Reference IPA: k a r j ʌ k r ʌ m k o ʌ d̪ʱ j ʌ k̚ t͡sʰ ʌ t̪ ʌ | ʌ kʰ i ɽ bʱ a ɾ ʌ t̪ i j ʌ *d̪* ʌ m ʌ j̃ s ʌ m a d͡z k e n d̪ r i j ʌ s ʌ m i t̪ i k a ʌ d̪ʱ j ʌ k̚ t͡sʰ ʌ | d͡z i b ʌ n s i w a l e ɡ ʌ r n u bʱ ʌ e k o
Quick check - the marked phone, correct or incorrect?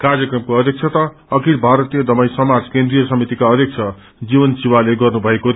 correct